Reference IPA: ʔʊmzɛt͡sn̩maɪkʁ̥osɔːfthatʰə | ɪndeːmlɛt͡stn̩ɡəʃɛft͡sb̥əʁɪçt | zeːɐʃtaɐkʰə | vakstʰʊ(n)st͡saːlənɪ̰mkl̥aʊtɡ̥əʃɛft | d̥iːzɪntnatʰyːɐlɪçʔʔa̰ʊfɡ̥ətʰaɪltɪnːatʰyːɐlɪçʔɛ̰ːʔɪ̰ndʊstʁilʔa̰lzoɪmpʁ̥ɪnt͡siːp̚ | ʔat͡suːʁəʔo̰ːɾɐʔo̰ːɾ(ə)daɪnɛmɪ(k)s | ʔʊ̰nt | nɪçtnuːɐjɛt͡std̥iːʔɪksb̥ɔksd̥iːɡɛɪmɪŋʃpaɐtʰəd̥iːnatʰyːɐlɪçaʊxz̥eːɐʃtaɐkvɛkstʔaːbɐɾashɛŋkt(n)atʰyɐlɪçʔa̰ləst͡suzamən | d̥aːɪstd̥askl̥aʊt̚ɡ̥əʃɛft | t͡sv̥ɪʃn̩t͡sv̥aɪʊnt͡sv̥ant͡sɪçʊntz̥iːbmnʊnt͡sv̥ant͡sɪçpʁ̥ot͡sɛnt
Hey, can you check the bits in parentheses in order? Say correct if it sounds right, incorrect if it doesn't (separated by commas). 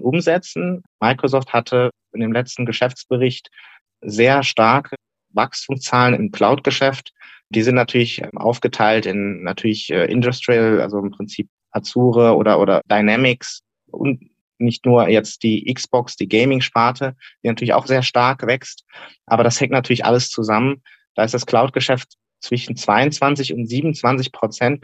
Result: incorrect, incorrect, correct, correct